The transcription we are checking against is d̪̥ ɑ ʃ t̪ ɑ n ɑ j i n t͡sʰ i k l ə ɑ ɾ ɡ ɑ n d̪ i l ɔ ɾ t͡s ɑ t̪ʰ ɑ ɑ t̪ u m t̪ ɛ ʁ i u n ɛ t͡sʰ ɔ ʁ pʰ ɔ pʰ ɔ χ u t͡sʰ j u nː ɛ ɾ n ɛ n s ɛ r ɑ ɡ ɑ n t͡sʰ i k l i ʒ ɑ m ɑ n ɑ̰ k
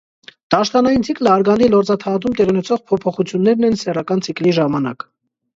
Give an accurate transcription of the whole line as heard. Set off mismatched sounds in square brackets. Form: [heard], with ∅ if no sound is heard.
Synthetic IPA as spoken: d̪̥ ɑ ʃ t̪ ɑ n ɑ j i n t͡sʰ i k l ə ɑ ɾ ɡ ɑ n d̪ i l ɔ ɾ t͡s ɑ t̪ʰ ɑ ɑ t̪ u m t̪ ɛ ʁ i u n ɛ t͡sʰ ɔ ʁ pʰ ɔ pʰ ɔ χ u t͡sʰ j u nː ɛ ɾ n ɛ n s ɛ r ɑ [k] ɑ n t͡sʰ i k l i ʒ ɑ m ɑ n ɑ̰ k